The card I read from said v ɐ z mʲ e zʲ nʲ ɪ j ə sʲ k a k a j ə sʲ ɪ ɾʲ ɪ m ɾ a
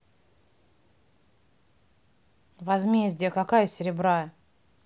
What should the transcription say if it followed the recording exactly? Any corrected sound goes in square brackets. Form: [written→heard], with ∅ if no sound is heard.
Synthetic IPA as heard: v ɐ z mʲ e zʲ [nʲ→dʲ] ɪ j ə [sʲ→∅] k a k a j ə sʲ ɪ ɾʲ ɪ [m→b] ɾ a